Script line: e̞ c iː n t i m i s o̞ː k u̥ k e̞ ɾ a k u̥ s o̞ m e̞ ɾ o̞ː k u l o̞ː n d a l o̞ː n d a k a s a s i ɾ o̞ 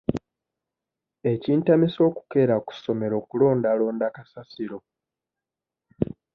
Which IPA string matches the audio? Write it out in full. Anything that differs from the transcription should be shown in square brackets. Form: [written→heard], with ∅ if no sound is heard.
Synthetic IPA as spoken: e̞ c iː n t [i→a] m i s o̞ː k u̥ k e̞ ɾ a k u̥ s o̞ m e̞ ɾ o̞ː k u l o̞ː n d a l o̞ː n d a k a s a s i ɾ o̞